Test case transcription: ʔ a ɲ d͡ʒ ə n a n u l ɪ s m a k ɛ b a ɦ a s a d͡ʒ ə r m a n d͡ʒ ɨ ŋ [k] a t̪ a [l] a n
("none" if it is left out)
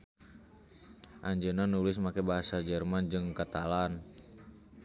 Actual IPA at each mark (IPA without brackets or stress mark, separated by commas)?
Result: k, l